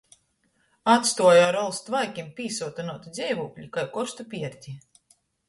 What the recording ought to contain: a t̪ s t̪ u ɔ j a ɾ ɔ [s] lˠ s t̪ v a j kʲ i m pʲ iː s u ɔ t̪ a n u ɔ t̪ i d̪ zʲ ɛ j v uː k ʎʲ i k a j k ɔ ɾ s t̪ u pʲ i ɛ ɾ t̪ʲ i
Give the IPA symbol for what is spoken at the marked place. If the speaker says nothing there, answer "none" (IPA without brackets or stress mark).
none